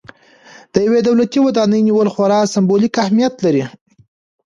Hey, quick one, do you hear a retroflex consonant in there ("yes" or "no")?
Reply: no